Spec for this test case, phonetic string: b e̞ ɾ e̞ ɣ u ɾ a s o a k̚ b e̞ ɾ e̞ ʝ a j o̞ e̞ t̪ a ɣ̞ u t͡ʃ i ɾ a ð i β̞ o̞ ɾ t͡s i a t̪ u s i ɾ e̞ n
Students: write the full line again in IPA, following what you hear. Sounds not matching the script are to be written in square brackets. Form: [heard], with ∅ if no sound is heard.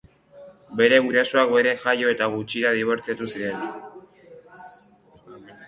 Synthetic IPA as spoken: b e̞ ɾ e̞ ɣ u ɾ a s o a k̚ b e̞ ɾ e̞ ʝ a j o̞ e̞ t̪ a ɣ̞ u t͡ʃ i ɾ a ð i β̞ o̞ ɾ t͡s i a t̪ u s i ɾ e̞ n